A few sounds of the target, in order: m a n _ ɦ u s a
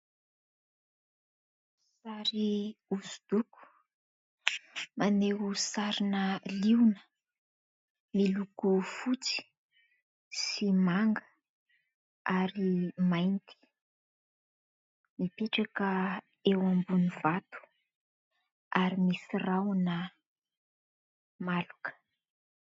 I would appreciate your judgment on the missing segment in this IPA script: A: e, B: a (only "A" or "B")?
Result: A